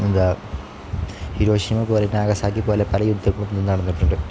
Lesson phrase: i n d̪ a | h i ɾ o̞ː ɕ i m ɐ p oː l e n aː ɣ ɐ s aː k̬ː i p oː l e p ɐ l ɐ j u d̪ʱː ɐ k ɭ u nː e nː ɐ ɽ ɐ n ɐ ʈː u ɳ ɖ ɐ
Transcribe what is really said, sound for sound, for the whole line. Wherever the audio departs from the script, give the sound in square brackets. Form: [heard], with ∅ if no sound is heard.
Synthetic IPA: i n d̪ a | h i ɾ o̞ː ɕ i m ɐ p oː l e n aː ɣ ɐ s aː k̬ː i p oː l e p ɐ l ɐ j u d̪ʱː ɐ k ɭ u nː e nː ɐ ɽ ɐ [nː] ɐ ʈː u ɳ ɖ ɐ